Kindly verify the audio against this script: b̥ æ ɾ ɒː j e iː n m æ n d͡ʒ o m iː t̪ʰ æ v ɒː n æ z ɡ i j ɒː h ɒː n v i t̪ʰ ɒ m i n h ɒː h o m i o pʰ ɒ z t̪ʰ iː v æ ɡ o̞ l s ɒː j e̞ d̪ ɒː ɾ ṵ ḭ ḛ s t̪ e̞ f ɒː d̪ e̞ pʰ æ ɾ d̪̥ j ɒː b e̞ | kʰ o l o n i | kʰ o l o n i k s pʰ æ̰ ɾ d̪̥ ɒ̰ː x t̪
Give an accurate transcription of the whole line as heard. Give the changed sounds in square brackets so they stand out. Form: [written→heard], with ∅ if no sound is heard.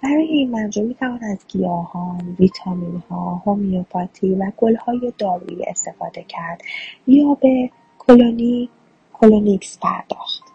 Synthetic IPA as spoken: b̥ æ ɾ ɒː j e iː n m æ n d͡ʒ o m iː t̪ʰ æ v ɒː n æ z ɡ i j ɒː h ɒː n v i t̪ʰ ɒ m i n h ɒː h o m i o pʰ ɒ [z→∅] t̪ʰ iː v æ ɡ o̞ l [s→h] ɒː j e̞ d̪ ɒː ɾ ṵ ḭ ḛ s t̪ e̞ f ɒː d̪ e̞ [pʰ→cʰ] æ ɾ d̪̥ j ɒː b e̞ | kʰ o l o n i | kʰ o l o n i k s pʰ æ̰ ɾ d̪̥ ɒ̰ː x t̪